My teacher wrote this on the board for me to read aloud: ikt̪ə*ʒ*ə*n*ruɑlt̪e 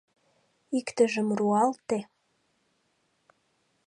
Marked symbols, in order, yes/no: yes, no

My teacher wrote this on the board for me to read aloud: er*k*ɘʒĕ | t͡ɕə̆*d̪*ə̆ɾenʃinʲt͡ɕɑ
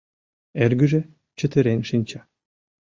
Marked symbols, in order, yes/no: no, no

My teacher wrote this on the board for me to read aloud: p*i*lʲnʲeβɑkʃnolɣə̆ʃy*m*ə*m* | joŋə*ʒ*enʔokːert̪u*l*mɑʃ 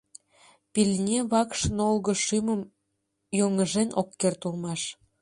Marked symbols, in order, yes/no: yes, yes, yes, yes, yes

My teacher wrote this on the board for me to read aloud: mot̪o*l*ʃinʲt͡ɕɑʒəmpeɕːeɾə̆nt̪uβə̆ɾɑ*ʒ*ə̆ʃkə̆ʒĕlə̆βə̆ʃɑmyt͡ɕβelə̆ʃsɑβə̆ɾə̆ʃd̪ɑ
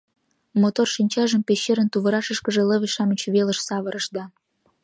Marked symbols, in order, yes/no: no, no

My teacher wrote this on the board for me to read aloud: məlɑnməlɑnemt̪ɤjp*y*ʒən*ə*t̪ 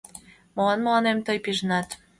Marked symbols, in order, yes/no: no, no

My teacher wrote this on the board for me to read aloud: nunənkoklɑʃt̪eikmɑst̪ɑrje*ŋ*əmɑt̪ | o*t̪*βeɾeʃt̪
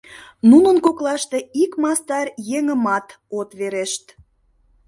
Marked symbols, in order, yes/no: yes, yes

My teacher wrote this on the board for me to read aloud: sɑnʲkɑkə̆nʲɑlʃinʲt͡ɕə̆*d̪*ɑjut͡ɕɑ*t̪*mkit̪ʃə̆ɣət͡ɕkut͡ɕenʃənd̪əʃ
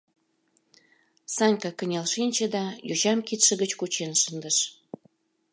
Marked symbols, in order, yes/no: yes, no

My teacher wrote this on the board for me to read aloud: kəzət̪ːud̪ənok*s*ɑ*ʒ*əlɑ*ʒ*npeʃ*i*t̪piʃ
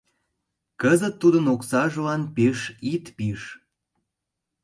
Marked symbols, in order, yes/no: yes, yes, no, yes

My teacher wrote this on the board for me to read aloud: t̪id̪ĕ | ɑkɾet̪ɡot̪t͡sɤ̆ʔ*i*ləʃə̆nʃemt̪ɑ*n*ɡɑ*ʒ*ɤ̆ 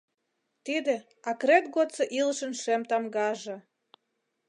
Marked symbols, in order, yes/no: yes, no, yes

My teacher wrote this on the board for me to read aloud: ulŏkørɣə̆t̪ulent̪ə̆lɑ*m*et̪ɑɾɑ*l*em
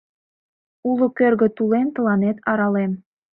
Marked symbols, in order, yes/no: no, yes

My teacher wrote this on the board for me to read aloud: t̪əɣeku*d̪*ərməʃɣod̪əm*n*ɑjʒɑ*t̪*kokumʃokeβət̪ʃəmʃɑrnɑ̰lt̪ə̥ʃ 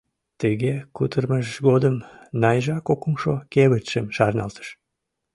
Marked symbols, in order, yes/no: no, yes, no

